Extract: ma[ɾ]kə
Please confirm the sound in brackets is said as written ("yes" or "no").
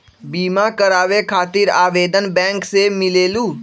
no